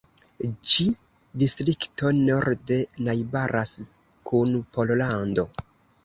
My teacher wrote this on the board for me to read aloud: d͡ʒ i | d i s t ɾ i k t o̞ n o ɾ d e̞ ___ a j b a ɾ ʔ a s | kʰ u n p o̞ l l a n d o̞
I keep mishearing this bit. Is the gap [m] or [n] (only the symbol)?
n